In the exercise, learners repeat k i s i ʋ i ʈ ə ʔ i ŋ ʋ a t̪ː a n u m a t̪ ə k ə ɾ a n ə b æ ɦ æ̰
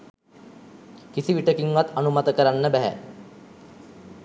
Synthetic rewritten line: k i s i ʋ i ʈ ə k i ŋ ʋ a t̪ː a n u m a t̪ ə k ə ɾ a nː ə b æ ɦ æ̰